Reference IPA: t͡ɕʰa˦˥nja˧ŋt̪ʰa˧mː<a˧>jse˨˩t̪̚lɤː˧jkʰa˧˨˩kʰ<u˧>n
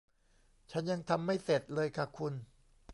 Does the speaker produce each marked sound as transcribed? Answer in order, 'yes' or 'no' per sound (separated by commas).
no, yes